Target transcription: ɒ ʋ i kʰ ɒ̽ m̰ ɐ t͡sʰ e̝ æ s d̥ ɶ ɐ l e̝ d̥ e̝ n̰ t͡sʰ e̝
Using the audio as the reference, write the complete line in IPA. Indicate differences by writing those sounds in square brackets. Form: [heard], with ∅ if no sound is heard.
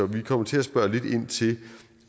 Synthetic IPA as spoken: ɒ ʋ i kʰ ɒ̽ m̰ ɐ t͡sʰ e̝ æ s [b̥] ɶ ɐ l e̝ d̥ e̝ n̰ t͡sʰ e̝